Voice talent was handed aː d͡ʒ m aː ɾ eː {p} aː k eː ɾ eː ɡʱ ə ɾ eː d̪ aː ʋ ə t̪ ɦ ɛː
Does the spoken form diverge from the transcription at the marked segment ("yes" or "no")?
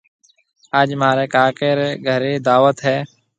yes